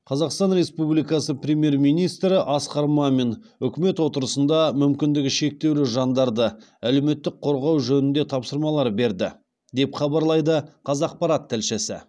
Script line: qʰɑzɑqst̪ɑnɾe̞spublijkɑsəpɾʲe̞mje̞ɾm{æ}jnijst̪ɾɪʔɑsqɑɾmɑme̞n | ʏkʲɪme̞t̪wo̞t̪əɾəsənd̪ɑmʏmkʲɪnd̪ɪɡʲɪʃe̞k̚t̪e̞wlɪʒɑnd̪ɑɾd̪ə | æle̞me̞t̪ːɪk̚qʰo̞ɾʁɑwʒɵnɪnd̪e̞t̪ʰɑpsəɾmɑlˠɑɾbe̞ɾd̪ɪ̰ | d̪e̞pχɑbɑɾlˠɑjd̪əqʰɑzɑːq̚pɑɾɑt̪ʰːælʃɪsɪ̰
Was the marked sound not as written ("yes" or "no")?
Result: yes